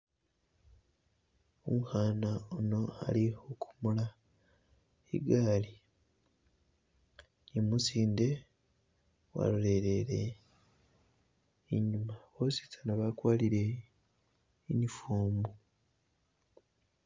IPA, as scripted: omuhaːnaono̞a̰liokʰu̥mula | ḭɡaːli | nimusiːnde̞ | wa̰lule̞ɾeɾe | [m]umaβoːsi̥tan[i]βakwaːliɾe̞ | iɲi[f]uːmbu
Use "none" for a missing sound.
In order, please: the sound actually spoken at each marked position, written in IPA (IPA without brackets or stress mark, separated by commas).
ɲ, a, f